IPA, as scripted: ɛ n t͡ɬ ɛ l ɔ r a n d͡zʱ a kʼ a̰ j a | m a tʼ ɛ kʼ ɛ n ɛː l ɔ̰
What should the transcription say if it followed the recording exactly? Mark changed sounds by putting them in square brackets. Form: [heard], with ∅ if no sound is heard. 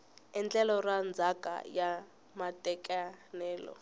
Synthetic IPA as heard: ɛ n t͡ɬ ɛ l ɔ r a n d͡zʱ a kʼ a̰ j a | m a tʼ ɛ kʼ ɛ n ɛː l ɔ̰